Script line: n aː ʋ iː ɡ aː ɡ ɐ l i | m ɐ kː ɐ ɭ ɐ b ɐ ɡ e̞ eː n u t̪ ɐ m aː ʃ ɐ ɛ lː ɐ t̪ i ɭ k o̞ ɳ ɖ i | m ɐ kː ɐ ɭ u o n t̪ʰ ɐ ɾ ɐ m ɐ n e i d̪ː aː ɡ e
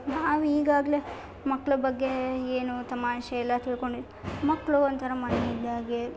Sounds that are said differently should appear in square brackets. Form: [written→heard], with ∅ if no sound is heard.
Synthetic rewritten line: n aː ʋ iː ɡ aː ɡ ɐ l [i→e] | m ɐ kː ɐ ɭ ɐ b ɐ [ɡ→ɡː] e̞ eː n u t̪ ɐ m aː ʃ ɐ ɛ lː ɐ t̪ i ɭ k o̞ ɳ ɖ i | m ɐ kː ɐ ɭ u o n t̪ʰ ɐ ɾ ɐ m ɐ n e i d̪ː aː ɡ e

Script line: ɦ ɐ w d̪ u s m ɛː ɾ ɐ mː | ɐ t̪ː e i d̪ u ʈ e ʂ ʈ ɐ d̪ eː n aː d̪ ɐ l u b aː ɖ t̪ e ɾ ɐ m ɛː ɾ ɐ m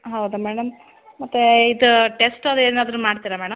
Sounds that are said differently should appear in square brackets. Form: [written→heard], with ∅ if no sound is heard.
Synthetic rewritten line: ɦ ɐ w d̪ u [s→∅] m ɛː [ɾ→ɽ] ɐ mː | ɐ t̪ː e i d̪ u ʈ e [ʂ→s] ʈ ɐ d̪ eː n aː d̪ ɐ [l→ɾ] u [b→m] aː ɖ t̪ [e→i] ɾ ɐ m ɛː [ɾ→ɽ] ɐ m

